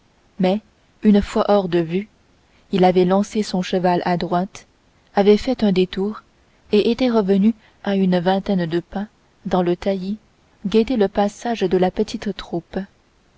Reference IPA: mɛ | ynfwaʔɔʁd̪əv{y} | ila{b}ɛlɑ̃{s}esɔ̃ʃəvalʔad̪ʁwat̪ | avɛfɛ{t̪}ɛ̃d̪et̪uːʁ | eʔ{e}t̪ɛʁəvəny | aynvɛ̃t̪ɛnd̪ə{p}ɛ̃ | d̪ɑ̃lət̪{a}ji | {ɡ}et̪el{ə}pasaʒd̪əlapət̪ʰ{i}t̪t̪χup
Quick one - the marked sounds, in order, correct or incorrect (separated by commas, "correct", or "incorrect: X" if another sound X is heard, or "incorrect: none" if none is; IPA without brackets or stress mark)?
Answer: correct, incorrect: v, correct, correct, correct, correct, correct, correct, correct, correct